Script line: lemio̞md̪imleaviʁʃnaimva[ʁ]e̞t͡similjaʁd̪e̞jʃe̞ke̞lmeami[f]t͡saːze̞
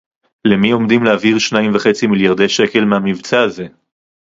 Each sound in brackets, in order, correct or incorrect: incorrect, incorrect

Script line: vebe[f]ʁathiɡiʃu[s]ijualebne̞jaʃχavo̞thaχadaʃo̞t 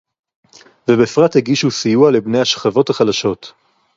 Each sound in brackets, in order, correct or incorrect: correct, correct

